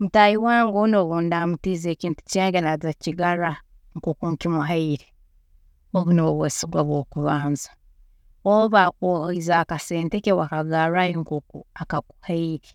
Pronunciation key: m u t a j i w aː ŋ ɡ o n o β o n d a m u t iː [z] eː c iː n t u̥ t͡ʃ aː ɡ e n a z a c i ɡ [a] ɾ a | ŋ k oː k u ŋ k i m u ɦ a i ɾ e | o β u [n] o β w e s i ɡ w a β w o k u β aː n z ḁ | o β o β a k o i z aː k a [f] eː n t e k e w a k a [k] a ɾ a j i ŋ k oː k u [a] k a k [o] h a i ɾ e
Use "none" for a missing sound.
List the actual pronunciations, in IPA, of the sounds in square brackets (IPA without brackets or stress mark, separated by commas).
z, a, n, s, ɡ, a, u